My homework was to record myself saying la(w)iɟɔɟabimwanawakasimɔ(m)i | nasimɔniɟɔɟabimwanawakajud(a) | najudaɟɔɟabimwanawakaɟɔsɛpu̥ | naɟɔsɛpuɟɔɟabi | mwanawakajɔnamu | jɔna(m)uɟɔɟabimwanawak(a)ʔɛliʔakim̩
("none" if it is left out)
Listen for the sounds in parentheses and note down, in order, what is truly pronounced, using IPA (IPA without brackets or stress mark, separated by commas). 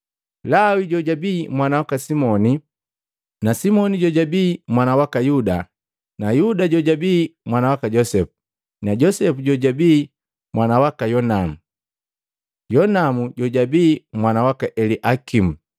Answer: w, n, a, m, a